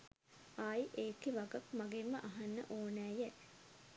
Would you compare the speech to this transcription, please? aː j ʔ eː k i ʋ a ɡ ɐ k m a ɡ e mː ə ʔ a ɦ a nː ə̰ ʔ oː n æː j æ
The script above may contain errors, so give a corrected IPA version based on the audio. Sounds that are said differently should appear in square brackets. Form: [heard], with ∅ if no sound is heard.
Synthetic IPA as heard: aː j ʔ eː k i ʋ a ɡ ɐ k m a ɡ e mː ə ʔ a ɦ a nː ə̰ ʔ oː n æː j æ